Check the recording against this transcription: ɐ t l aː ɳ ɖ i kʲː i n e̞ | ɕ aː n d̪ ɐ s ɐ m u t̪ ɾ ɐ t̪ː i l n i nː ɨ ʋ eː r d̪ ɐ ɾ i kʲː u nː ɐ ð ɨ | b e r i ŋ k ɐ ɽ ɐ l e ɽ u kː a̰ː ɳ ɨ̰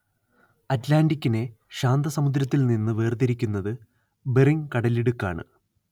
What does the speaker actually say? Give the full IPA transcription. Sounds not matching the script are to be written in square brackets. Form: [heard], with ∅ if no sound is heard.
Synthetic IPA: ɐ t l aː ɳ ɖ i kʲː i n e̞ | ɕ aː n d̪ ɐ s ɐ m u [d̪] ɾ ɐ t̪ː i l n i nː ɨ ʋ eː r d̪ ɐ ɾ i kʲː u nː ɐ ð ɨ | b e r i ŋ k ɐ ɽ ɐ l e ɽ u kː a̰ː ɳ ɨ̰

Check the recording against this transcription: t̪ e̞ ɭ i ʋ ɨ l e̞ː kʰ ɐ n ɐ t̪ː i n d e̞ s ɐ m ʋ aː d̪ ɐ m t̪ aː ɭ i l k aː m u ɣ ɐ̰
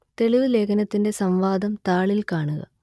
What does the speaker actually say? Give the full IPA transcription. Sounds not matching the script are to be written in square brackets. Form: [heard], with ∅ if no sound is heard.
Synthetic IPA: t̪ e̞ ɭ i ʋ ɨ l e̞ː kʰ ɐ n ɐ t̪ː i n d e̞ s ɐ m ʋ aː d̪ ɐ m t̪ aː ɭ i l k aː [ɳ] u ɣ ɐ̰

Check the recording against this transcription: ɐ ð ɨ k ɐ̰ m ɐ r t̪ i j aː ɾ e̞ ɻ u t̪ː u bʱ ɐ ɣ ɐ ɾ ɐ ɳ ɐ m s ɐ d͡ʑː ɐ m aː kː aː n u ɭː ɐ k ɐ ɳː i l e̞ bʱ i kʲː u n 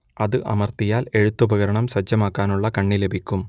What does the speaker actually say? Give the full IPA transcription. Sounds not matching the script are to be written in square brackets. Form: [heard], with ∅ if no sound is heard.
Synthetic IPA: ɐ ð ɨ [ʔ] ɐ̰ m ɐ r t̪ i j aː [l] e̞ ɻ u t̪ː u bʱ ɐ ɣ ɐ ɾ ɐ ɳ ɐ m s ɐ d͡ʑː ɐ m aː kː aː n u ɭː ɐ k ɐ ɳː i l e̞ bʱ i kʲː u [m]

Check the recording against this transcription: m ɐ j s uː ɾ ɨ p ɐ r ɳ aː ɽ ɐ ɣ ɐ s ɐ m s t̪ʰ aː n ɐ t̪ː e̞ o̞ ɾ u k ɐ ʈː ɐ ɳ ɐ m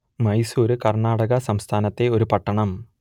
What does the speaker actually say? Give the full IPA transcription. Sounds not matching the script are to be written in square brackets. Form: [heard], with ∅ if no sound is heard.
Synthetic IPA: m ɐ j s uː ɾ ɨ [k] ɐ r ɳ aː ɽ ɐ ɣ ɐ s ɐ m s t̪ʰ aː n ɐ t̪ː e̞ o̞ ɾ u [p] ɐ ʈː ɐ ɳ ɐ m

